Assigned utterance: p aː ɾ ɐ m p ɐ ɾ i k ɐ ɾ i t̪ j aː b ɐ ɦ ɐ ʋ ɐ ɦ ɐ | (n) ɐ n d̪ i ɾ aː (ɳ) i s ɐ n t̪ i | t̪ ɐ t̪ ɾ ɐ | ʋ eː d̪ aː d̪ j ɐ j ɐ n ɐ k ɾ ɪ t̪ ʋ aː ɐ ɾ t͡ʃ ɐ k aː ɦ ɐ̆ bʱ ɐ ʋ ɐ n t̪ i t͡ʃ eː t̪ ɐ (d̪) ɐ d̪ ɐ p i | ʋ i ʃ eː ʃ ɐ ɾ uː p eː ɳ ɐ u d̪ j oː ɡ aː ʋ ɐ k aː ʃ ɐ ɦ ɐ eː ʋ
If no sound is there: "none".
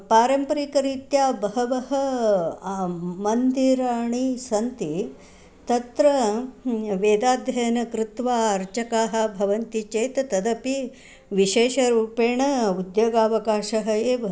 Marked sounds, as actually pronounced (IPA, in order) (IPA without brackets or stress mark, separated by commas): m, ɳ, t̪